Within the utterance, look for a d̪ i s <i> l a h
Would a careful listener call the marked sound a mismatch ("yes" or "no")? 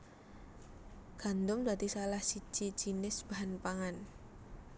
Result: yes